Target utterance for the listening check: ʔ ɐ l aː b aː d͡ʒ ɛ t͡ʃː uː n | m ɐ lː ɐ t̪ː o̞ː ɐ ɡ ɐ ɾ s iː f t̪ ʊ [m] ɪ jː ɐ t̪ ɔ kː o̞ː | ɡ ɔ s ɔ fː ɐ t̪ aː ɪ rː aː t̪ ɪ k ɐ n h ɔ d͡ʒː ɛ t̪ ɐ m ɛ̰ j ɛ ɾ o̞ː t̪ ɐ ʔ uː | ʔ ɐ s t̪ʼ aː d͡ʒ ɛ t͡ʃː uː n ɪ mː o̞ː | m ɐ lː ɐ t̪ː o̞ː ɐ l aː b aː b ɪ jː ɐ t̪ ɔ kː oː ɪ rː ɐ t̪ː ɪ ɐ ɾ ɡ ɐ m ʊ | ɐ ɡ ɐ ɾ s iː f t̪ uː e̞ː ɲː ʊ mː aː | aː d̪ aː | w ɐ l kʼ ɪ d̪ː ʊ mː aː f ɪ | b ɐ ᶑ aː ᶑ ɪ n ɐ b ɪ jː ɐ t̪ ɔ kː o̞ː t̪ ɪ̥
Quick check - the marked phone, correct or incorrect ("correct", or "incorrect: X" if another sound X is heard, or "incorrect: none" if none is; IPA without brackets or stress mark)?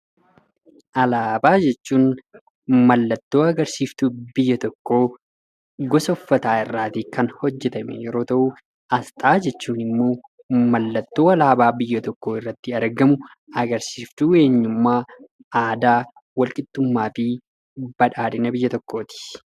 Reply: incorrect: b